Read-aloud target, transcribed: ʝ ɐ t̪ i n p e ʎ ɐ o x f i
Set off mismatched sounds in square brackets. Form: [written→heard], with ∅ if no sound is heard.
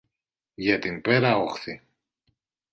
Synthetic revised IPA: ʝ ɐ t̪ i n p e [ʎ→ɾ] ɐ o x [f→θ] i